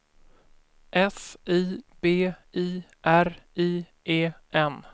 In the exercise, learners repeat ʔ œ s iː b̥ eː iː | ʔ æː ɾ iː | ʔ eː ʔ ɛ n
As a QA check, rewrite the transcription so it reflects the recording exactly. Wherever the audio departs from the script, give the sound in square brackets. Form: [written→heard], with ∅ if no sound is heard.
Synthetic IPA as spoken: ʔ [œ→ɛ] s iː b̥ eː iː | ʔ [æː→æ] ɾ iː | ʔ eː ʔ ɛ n

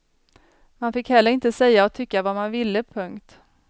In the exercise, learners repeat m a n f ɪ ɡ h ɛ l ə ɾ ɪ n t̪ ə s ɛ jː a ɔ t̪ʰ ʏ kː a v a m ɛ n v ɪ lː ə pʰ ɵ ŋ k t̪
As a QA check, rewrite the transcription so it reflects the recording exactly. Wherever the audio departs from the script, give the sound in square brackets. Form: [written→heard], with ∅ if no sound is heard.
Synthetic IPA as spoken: m a n f ɪ [ɡ→k] h ɛ [l→lː] ə ɾ ɪ n t̪ ə s ɛ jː a ɔ t̪ʰ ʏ kː a v a m [ɛ→a] n v ɪ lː ə pʰ ɵ ŋ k t̪

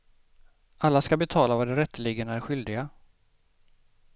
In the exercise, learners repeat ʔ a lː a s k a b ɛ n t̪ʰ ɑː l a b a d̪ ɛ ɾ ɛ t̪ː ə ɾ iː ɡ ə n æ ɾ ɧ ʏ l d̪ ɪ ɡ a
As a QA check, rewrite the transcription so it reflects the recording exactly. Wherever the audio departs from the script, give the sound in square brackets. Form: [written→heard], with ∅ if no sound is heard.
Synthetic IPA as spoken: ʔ a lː a s k a b ɛ [n→∅] t̪ʰ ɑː l a [b→v] a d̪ ɛ ɾ ɛ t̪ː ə [ɾ→l] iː ɡ ə n æ ɾ ɧ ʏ l d̪ ɪ ɡ a

